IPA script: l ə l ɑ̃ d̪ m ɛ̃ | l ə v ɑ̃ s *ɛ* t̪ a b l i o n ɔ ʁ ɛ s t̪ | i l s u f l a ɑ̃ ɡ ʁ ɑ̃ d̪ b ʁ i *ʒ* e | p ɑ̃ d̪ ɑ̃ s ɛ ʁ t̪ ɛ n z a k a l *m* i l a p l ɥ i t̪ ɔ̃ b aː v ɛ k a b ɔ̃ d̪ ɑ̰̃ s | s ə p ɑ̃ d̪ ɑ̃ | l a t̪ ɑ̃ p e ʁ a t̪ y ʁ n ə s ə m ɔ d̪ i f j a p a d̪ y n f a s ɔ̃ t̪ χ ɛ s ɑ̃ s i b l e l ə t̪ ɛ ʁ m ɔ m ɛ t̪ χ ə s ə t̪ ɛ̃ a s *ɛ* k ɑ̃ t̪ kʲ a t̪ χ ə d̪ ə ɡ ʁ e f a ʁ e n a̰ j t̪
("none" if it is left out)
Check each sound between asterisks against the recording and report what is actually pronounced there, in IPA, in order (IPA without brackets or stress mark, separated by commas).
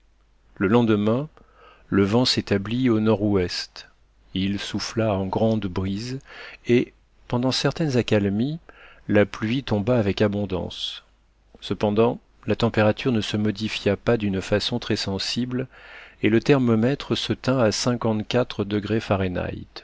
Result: e, z, m, ɛ̃